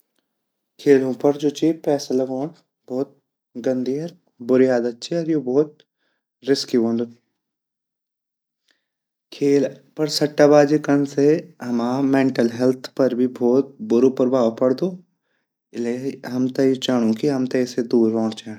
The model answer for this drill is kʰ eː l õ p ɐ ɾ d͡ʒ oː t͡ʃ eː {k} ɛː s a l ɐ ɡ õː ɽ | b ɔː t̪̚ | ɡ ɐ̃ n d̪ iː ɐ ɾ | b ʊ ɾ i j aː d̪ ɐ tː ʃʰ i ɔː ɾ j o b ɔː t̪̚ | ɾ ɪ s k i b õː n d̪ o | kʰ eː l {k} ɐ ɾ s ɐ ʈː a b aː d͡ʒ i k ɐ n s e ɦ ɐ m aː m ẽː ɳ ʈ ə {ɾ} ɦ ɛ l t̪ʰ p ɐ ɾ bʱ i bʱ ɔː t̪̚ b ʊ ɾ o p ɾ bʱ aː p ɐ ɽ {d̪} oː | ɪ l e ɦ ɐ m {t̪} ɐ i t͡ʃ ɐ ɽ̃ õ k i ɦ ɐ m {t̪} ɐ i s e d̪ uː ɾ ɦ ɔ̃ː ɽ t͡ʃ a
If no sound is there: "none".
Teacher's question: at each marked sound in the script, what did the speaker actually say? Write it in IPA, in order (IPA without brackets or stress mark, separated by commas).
p, p, l, d̪, t̪, t̪